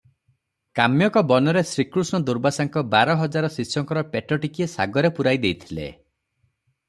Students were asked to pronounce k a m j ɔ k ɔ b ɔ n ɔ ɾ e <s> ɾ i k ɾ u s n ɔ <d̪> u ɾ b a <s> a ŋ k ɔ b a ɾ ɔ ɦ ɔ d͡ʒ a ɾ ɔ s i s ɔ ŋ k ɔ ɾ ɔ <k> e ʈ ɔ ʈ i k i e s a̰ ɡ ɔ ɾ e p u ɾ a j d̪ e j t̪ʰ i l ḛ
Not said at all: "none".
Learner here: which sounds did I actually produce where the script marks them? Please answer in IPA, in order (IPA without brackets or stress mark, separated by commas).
s, d̪, s, p